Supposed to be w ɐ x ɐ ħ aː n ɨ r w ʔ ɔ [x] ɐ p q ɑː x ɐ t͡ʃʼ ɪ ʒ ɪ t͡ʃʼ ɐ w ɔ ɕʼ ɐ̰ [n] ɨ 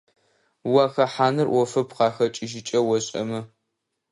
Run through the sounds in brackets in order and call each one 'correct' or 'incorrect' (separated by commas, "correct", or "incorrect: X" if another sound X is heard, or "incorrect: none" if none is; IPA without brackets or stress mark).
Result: incorrect: f, incorrect: m